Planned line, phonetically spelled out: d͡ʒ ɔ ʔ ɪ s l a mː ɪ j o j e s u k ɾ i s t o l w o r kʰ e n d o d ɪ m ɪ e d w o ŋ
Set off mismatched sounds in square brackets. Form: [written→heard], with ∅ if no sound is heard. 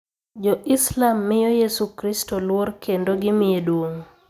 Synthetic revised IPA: d͡ʒ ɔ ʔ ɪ s l a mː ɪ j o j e s u k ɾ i s t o l w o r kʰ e n d o [d→ɡ] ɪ m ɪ e d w o ŋ